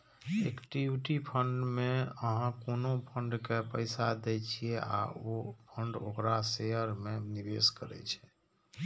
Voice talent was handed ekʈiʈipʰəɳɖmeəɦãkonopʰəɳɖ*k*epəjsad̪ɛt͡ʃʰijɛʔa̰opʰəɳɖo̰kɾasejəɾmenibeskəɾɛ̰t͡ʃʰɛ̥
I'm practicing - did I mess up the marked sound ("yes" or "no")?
no